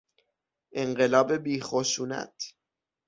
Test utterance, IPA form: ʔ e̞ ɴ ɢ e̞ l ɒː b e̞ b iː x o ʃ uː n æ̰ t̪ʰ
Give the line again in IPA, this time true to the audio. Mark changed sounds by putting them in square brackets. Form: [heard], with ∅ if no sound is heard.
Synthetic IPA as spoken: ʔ e̞ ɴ ɢ e̞ l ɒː b e̞ b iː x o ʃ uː n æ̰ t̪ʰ